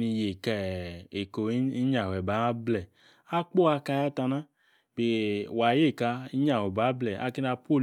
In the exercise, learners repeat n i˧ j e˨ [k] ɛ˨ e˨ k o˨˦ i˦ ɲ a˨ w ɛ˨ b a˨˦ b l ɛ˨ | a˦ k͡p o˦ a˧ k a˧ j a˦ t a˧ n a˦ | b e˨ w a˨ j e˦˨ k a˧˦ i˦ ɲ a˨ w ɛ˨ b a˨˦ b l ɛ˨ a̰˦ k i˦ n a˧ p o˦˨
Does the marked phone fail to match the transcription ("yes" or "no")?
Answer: no